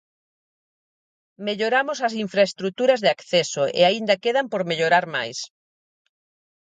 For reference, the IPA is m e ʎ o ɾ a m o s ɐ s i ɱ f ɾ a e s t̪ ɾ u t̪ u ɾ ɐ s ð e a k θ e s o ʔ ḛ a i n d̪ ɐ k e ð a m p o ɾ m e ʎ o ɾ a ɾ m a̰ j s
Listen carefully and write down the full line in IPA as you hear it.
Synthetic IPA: m e ʎ o ɾ a m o s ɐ s i ɱ f ɾ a e s t̪ ɾ u t̪ u ɾ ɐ z ð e a k θ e s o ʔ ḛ a i n d̪ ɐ k e ð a m p o ɾ m e ʎ o ɾ a ɾ m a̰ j s

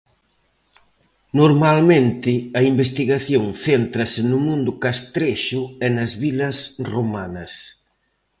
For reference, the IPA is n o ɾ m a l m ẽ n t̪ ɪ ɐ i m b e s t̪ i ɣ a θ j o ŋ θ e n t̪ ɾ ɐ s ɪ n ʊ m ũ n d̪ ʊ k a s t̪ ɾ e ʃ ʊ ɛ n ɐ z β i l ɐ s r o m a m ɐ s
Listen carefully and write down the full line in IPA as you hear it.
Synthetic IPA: n o ɾ m a l m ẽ n t̪ ɪ ɐ i m b e s t̪ i ɣ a θ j o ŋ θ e n t̪ ɾ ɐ s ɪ n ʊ m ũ n d̪ ʊ k a s t̪ ɾ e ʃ ʊ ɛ n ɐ z β i l ɐ s r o m a n ɐ s

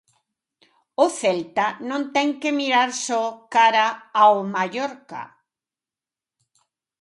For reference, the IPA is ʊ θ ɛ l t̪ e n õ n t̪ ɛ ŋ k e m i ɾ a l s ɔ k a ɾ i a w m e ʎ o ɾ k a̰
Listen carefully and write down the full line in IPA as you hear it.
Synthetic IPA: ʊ θ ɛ l t̪ a n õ n t̪ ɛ ŋ k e m i ɾ a ɾ s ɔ k a ɾ a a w m a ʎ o ɾ k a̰

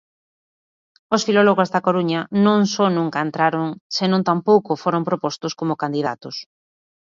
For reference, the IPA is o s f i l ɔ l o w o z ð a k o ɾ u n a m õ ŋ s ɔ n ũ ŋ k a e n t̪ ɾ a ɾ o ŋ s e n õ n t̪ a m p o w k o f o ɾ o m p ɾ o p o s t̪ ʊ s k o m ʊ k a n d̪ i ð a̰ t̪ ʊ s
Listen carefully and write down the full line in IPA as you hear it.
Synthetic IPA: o s f i l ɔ l o ɣ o z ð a k o ɾ u ɲ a n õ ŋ s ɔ n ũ ŋ k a e n t̪ ɾ a ɾ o ŋ s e n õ n t̪ a m p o w k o f o ɾ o m p ɾ o p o s t̪ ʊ s k o m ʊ k a n d̪ i ð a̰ t̪ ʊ s

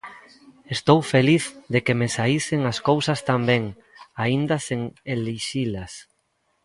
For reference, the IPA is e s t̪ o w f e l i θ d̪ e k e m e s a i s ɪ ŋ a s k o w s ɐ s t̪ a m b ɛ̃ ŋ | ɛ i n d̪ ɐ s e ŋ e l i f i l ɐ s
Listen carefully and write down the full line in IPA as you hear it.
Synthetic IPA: e s t̪ o w f e l i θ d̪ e k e m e s a i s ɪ ŋ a s k o w s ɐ s t̪ a m b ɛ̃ ŋ | a i n d̪ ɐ s e ŋ e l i ʃ i l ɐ s

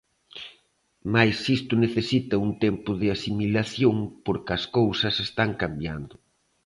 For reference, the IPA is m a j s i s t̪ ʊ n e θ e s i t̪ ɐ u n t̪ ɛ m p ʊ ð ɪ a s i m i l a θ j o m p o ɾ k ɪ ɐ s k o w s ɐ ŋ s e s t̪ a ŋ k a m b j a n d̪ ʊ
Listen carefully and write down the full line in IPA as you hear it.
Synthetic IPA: m a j s i s t̪ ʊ n e θ e s i t̪ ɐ u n t̪ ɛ m p ʊ ð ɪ a s i m i l a θ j o ŋ p o ɾ k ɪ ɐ s k o w s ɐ s e s t̪ a ŋ k a m b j a n d̪ ʊ

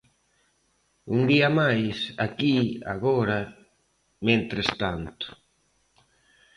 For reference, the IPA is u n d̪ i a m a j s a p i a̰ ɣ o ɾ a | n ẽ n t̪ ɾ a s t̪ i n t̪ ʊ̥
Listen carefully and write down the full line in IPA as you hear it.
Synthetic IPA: u n d̪ i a m a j s a k i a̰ ɣ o ɾ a | m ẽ n t̪ ɾ e s t̪ a n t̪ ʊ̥

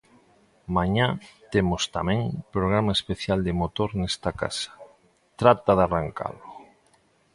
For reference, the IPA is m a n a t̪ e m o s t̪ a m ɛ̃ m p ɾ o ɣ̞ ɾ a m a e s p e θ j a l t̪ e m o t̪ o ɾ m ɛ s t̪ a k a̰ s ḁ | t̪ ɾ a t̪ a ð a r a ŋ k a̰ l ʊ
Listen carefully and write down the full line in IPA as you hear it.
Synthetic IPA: m a ɲ a t̪ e m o s t̪ a m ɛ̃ ŋ p ɾ o ɣ̞ ɾ a m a e s p e θ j a l d̪ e m o t̪ o ɾ n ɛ s t̪ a k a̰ s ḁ | t̪ ɾ a t̪ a ð a r a ŋ k a̰ l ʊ

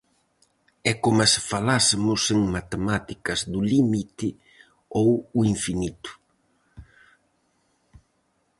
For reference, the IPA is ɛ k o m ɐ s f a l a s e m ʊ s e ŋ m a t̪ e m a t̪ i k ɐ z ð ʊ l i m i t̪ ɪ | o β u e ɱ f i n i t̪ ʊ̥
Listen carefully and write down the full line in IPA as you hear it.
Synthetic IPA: ɛ k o m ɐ s f a l a s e m ʊ s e ŋ m a t̪ e m a t̪ i k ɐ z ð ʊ l i m i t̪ ɪ | o w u i ɱ f i n i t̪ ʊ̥

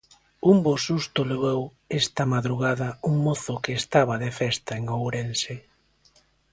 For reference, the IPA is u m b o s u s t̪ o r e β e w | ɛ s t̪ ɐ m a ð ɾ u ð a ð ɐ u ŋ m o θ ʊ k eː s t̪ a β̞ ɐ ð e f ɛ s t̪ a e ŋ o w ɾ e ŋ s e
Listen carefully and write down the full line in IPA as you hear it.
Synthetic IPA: u m b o s u s t̪ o l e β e w | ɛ s t̪ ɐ m a ð ɾ u ɣ a ð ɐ u ŋ m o θ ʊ k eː s t̪ a β̞ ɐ ð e f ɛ s t̪ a e ŋ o w ɾ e n s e

